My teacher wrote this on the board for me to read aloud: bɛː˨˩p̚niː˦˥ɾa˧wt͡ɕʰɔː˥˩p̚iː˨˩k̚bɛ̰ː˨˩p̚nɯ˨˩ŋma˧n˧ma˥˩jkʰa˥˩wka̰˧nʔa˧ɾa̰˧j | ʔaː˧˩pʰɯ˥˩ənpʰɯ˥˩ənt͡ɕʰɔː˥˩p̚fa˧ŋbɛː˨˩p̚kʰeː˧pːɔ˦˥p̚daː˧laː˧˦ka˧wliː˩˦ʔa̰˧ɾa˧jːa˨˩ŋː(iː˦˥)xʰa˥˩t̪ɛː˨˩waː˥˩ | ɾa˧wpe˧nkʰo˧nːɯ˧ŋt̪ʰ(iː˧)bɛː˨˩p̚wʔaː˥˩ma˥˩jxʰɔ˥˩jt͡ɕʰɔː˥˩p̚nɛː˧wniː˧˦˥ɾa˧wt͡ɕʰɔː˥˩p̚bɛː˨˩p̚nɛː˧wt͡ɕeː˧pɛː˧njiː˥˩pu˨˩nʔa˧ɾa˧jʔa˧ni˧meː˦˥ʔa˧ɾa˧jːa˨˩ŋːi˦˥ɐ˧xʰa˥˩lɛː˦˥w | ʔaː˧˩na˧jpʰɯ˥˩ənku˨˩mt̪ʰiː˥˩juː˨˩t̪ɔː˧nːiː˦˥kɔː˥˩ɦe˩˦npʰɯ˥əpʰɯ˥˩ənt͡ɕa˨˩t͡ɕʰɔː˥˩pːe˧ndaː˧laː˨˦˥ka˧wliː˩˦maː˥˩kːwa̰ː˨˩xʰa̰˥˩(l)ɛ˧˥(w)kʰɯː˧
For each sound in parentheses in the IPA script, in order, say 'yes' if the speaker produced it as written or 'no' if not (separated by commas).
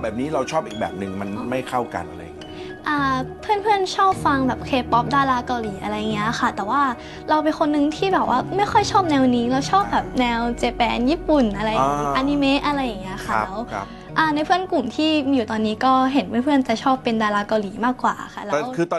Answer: no, no, yes, yes